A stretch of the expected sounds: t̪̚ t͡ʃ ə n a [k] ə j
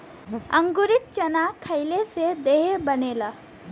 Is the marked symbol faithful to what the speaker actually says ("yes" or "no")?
no